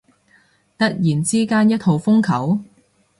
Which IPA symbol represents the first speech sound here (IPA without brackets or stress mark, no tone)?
t̪